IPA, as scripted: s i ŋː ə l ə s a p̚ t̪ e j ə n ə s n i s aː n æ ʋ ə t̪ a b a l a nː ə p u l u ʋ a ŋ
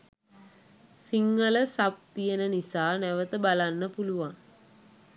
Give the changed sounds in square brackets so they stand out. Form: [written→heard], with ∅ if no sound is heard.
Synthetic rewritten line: s i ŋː ə l ə s a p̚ t̪ [e→i] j ə n ə [s→∅] n i s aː n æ ʋ ə t̪ [a→ə] b a l a nː ə p u l u ʋ a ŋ